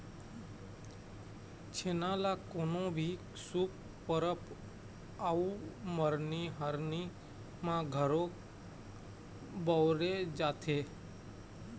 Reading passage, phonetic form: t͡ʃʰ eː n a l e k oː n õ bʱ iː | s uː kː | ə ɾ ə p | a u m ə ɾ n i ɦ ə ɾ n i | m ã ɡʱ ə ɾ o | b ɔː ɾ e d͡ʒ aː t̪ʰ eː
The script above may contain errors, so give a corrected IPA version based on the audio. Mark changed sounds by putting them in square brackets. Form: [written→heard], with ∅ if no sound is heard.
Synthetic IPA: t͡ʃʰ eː n a l [e→a] k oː n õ bʱ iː | s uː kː | ə ɾ ə p | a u m ə ɾ n i ɦ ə ɾ n i | m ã ɡʱ ə ɾ o | b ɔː ɾ e d͡ʒ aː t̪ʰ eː